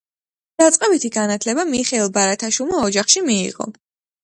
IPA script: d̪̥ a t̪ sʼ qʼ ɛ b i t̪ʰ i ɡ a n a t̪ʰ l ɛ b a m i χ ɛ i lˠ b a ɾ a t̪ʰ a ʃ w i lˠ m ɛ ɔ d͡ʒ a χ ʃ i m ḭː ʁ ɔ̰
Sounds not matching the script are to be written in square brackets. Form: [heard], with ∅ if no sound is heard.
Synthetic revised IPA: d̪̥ a t̪ sʼ qʼ ɛ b i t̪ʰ i ɡ a n a t̪ʰ l ɛ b a m i χ ɛ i lˠ b a ɾ a t̪ʰ a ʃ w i lˠ m [a] ɔ d͡ʒ a χ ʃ i m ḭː ʁ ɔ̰